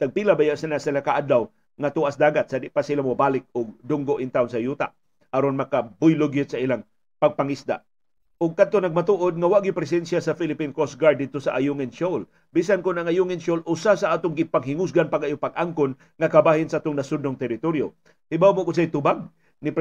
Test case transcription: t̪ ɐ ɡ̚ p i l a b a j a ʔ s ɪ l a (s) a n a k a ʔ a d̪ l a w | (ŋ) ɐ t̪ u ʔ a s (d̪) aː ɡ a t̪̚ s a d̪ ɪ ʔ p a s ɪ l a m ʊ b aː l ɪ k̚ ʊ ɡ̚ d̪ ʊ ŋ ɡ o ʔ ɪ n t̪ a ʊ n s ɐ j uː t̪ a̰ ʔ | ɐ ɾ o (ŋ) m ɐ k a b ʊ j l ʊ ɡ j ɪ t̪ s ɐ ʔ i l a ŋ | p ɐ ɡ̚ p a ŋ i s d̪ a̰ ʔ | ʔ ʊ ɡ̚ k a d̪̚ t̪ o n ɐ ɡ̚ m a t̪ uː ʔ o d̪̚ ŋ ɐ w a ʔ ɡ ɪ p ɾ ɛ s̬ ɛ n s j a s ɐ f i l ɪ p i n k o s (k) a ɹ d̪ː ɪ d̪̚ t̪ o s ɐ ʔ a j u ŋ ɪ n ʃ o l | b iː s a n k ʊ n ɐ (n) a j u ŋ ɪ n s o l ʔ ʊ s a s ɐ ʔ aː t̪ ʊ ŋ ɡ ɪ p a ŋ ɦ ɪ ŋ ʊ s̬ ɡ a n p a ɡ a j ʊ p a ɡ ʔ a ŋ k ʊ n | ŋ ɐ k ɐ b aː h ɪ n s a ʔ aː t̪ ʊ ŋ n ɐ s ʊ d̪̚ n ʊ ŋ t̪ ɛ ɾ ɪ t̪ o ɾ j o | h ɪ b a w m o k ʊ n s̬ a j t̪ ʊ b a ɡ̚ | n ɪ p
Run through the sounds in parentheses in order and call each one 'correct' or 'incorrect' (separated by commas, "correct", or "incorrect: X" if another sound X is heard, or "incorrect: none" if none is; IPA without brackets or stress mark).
correct, correct, correct, incorrect: n, incorrect: ɡ, incorrect: ŋ